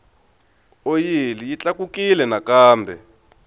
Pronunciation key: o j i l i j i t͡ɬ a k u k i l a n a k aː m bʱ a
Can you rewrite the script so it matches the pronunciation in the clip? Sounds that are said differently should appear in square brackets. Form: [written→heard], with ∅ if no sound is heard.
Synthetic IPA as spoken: o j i l i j i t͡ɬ a k u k i l [a→ɛ] n a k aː m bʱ [a→ɛ]